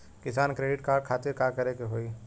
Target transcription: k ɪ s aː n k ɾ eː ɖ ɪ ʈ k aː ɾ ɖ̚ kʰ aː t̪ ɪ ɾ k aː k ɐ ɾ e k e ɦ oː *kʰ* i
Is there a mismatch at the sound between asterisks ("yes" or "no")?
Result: yes